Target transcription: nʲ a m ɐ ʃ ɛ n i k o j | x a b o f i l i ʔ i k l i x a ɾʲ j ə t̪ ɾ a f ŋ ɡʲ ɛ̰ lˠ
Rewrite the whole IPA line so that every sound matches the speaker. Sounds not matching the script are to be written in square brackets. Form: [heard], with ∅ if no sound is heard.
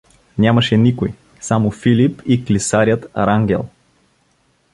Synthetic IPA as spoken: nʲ a m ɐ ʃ ɛ n i k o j | [s] a [m] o f i l i [p] i k l i [s] a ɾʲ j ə t̪ ɾ a [∅] ŋ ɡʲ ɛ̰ lˠ